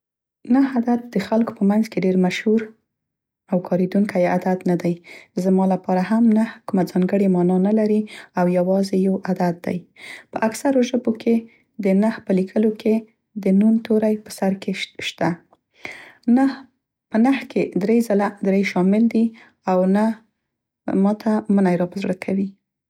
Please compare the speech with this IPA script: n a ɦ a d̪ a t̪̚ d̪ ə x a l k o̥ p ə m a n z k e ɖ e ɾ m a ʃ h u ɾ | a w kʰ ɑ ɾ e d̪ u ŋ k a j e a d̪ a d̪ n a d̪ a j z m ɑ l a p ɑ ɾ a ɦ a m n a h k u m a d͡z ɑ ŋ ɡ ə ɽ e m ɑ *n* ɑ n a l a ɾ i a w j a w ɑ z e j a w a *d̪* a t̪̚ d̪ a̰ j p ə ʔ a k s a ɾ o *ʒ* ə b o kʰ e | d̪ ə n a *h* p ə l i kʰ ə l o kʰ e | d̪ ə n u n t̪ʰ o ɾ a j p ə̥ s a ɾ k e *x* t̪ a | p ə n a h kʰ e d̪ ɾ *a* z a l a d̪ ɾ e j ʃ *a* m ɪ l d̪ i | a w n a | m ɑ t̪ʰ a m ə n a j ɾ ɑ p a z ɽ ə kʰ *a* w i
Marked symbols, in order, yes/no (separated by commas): yes, yes, yes, yes, no, no, no, yes